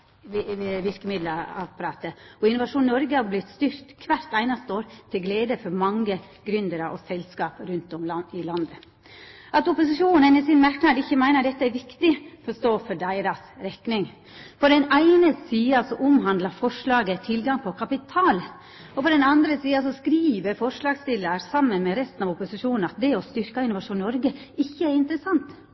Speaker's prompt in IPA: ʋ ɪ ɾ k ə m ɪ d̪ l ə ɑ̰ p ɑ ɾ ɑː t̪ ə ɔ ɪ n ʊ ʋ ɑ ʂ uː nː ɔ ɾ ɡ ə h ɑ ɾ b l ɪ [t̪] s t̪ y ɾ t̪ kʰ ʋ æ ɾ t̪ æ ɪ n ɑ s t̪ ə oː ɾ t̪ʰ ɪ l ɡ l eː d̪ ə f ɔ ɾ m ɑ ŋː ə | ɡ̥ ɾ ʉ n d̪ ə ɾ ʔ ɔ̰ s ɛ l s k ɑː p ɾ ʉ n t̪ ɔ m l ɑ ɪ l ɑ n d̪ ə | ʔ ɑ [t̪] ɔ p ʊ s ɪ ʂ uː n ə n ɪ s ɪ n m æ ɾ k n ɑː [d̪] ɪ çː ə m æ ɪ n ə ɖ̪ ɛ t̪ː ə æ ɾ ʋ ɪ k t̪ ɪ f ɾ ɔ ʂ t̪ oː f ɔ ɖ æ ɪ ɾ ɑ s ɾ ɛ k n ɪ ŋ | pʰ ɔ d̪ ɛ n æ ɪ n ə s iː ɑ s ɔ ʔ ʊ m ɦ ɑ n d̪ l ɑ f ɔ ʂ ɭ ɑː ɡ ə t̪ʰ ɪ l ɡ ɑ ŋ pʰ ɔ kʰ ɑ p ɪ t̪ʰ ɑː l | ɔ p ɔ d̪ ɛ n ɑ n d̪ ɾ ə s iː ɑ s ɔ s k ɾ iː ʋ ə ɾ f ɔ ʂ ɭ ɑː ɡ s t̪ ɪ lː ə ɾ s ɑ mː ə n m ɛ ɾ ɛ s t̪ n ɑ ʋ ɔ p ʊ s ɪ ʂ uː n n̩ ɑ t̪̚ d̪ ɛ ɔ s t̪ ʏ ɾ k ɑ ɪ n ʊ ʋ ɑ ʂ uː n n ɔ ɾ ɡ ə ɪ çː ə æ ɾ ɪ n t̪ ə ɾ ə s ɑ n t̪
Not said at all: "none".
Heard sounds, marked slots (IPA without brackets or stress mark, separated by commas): t̪, t̪, d̪